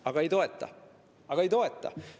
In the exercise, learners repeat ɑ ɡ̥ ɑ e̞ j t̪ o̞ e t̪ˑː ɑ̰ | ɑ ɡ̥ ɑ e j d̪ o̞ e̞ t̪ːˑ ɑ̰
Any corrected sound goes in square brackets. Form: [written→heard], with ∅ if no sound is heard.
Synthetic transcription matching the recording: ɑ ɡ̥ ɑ e̞ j t̪ o̞ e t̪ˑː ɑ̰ | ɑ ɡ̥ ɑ e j [d̪→t̪] o̞ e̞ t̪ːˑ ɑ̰